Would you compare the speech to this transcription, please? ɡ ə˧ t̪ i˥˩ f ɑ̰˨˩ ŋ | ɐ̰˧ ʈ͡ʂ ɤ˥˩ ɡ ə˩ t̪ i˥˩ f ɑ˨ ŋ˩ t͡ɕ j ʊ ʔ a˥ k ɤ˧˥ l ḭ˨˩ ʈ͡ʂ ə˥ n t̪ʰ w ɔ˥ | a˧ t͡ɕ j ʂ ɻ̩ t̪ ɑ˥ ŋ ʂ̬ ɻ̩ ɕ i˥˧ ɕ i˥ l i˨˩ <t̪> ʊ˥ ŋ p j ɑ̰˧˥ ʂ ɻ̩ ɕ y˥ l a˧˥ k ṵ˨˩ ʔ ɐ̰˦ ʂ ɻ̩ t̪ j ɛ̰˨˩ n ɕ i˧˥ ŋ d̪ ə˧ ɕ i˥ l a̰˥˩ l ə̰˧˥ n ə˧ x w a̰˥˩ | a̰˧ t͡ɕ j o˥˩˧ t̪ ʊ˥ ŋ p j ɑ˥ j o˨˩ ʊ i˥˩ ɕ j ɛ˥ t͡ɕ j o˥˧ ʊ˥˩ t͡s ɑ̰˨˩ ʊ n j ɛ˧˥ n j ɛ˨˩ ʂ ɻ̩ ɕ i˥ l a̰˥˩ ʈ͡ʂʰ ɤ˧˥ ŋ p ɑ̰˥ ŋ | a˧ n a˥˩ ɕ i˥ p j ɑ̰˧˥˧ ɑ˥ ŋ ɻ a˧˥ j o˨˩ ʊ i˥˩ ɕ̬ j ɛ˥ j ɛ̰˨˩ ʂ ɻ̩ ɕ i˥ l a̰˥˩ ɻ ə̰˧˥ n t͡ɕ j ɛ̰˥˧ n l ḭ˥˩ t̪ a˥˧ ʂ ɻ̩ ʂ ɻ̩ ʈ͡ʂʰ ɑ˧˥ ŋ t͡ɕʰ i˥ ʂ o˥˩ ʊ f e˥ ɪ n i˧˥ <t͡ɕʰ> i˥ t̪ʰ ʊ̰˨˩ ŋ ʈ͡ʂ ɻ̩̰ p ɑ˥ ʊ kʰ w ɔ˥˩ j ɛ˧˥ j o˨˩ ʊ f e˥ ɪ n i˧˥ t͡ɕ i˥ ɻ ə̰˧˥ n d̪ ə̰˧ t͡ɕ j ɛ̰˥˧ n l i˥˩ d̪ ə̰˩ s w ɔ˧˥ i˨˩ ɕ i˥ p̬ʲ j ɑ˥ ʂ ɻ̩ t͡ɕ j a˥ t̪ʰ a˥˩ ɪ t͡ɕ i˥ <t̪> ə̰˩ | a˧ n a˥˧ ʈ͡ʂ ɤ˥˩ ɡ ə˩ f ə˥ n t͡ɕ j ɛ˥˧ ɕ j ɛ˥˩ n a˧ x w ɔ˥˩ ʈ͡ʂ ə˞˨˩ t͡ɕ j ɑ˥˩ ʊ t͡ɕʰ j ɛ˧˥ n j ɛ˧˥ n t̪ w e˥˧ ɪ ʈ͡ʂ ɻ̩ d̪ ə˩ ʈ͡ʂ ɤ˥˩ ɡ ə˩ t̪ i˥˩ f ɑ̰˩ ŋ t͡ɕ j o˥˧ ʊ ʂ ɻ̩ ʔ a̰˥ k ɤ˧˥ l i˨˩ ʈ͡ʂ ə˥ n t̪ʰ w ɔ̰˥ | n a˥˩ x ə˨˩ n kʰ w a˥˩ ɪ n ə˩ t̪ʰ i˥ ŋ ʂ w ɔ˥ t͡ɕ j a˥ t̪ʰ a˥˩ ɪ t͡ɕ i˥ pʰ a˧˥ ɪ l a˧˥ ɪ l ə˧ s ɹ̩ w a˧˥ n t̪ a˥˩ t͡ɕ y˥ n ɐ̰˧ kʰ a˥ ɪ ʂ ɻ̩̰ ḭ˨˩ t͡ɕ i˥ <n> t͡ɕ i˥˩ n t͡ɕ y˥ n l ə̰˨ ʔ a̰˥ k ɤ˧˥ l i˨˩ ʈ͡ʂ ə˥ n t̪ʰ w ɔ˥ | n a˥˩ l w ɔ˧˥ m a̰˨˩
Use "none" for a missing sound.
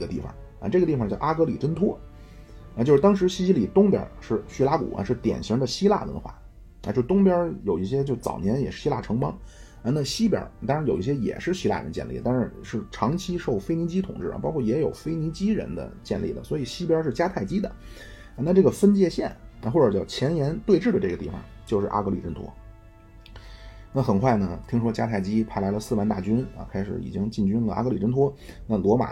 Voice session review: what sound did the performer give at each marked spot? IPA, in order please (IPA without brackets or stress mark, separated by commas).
t̪, t͡ɕ, d̪, ŋ